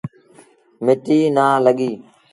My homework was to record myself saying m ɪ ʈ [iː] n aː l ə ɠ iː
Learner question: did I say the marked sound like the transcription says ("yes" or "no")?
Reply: yes